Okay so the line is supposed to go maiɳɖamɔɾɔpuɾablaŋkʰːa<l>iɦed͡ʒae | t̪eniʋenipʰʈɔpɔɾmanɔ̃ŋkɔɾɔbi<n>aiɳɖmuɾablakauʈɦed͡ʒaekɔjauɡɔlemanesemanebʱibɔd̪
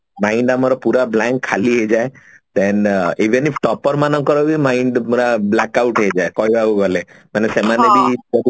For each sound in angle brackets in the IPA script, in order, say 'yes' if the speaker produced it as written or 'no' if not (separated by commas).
yes, no